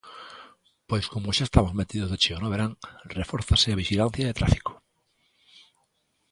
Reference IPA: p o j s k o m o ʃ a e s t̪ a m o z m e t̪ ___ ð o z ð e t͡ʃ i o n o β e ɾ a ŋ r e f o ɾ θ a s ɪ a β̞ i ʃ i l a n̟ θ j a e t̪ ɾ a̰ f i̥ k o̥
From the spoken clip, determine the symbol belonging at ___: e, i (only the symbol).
i